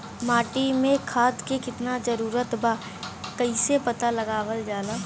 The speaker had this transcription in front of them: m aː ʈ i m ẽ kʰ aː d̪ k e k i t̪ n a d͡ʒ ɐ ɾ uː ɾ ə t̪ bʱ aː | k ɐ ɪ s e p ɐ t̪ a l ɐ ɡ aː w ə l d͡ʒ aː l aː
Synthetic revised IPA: m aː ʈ i m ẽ kʰ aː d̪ k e k ɪ t̪ n a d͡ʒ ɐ ɾ uː ɾ ə t̪ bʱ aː | k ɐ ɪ s e p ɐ t̪ a l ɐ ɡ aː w ə l d͡ʒ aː l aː